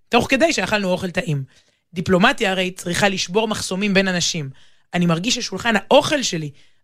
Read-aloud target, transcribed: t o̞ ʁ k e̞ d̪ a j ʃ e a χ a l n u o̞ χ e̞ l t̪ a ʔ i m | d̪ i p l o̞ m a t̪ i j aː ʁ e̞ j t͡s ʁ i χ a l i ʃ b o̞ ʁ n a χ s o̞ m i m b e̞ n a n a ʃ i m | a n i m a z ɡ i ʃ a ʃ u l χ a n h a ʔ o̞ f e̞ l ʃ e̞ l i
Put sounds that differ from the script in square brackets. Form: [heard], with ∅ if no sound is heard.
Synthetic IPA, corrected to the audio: t o̞ [χ] k e̞ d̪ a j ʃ e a χ a l n u o̞ χ e̞ l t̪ a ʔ i m | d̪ i p l o̞ m a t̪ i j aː ʁ e̞ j t͡s ʁ i χ a l i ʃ b o̞ ʁ [m] a χ s o̞ m i m b e̞ n a n a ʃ i m | a n i m a [ʁ] ɡ i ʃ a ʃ u l χ a n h a ʔ o̞ [χ] e̞ l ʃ e̞ l i